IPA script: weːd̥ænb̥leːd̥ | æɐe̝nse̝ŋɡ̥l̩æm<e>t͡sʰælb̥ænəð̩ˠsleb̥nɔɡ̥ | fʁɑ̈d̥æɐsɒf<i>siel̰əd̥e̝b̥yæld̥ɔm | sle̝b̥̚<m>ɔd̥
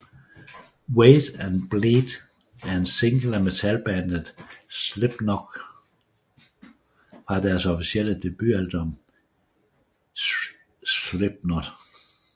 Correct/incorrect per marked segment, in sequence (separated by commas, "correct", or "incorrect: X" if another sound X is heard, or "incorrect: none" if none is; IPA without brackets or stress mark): correct, correct, incorrect: n